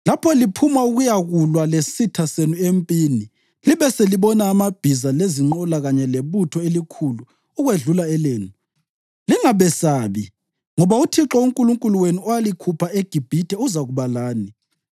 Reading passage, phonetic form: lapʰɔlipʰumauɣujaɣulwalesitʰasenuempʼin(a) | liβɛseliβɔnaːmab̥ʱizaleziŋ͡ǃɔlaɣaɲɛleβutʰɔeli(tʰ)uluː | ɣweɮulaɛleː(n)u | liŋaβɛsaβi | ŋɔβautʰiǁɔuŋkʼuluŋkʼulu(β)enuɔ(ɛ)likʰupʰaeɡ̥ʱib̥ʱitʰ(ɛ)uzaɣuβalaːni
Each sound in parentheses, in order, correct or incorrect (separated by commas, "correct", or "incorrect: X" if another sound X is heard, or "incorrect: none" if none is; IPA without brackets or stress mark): incorrect: i, incorrect: kʰ, correct, incorrect: w, incorrect: a, correct